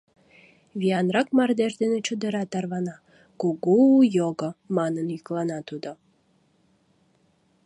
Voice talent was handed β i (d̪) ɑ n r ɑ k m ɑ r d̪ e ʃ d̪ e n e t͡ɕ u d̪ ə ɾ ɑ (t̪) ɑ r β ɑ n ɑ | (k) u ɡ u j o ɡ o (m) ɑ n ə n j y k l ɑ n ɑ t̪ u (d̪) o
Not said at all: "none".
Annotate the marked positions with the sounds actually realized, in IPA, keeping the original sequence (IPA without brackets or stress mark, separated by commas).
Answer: none, t̪, k, m, d̪